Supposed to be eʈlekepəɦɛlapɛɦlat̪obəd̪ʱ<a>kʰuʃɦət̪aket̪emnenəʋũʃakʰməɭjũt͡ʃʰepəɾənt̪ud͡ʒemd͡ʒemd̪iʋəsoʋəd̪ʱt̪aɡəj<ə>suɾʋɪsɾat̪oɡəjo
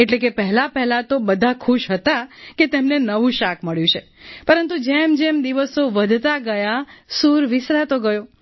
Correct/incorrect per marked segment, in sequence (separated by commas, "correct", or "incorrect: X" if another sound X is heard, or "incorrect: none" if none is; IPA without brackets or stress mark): correct, incorrect: a